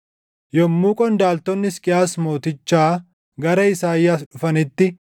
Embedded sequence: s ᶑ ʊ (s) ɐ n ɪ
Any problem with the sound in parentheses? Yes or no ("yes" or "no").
yes